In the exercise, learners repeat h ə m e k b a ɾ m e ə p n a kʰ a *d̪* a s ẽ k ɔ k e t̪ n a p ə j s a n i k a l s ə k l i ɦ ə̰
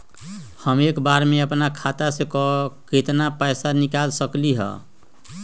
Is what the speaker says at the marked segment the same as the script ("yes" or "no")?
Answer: no